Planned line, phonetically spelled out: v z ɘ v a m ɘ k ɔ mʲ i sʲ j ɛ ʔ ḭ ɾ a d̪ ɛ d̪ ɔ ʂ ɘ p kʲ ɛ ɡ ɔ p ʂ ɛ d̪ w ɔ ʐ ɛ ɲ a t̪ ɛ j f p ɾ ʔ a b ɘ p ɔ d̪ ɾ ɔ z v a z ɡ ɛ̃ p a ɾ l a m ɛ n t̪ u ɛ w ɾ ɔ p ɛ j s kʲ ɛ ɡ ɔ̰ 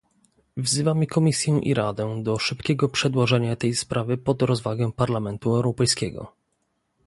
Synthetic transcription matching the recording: v z ɘ v a m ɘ k ɔ mʲ i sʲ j ɛ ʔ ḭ ɾ a d̪ ɛ d̪ ɔ ʂ ɘ p kʲ ɛ ɡ ɔ p ʂ ɛ d̪ w ɔ ʐ ɛ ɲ a t̪ ɛ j s p ɾ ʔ a v ɘ p ɔ d̪ ɾ ɔ z v a ɡ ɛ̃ p a ɾ l a m ɛ n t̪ u ɛ w ɾ ɔ p ɛ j s kʲ ɛ ɡ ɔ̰